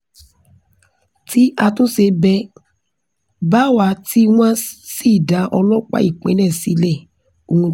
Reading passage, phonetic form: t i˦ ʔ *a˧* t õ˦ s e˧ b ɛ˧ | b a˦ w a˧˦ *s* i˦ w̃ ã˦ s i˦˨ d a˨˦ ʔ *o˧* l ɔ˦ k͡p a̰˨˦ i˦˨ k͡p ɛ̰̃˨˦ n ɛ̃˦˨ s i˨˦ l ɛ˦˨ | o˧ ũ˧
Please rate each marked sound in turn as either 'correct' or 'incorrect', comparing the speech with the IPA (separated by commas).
correct, incorrect, incorrect